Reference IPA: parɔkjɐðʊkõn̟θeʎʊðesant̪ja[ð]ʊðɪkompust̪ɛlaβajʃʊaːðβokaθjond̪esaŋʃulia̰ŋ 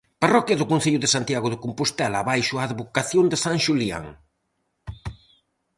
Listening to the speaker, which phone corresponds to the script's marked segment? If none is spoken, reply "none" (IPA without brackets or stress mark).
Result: ɣ